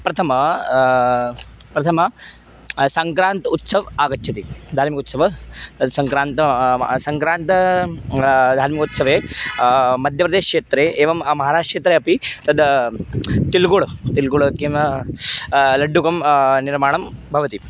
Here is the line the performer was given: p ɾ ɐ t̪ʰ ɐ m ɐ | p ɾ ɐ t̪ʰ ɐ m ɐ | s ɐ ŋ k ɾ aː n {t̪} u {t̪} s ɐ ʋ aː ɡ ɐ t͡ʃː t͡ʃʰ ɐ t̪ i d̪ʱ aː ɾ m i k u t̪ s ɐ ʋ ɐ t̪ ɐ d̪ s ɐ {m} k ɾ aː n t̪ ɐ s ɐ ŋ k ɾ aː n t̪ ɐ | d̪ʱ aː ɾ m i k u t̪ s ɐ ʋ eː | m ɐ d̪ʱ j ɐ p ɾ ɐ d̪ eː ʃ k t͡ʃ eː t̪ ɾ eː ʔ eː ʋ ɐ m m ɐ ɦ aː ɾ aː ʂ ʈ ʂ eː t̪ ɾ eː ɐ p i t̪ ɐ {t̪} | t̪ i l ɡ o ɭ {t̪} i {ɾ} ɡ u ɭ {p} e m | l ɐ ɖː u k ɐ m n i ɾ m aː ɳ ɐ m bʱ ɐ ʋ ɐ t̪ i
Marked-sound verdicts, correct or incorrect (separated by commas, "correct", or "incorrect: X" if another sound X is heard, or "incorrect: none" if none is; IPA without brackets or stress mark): correct, correct, incorrect: ŋ, incorrect: d̪, correct, incorrect: l, incorrect: k